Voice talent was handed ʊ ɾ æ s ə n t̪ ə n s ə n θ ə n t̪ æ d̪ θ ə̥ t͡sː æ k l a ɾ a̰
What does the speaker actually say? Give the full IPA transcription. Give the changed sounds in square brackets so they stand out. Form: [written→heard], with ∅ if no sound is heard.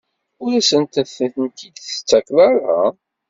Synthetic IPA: ʊ ɾ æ s ə n t̪ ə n [s→θ] ə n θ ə n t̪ [æ→i] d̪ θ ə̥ t͡sː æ k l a ɾ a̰